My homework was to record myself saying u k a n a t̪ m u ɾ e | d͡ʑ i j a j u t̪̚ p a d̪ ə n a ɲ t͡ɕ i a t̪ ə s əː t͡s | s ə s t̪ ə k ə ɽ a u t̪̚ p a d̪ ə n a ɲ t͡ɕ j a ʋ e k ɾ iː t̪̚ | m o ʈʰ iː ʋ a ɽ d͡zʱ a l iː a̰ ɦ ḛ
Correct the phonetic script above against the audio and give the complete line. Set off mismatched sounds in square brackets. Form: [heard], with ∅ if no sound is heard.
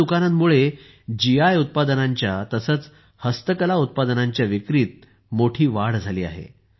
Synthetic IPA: u k a n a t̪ m u [ɭ] e | d͡ʑ i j a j u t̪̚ p a d̪ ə n a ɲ t͡ɕ [j] a t̪ ə s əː t͡s | [h] ə s t̪ ə k ə [l] a u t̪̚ p a d̪ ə n a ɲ t͡ɕ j a ʋ [i] k ɾ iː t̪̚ | m o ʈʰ iː ʋ a ɽ d͡zʱ a l iː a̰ ɦ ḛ